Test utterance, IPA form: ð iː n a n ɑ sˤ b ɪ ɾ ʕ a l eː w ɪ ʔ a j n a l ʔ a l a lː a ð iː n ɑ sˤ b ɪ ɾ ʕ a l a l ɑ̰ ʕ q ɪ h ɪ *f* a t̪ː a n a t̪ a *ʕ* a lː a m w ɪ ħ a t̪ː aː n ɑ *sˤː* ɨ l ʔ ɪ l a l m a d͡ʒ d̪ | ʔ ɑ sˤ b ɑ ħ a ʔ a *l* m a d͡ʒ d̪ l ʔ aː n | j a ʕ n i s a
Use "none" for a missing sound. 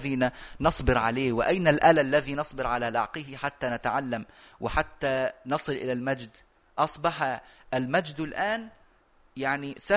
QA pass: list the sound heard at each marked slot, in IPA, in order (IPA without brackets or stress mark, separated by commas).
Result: ħ, ʕ, sˤ, l